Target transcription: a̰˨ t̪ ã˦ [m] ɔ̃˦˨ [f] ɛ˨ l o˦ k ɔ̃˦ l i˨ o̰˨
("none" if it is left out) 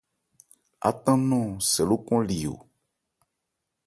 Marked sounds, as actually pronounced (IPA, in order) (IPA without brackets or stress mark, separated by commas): n, s